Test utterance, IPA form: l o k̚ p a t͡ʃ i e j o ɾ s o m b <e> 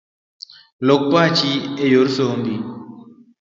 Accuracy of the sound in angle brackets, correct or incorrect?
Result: incorrect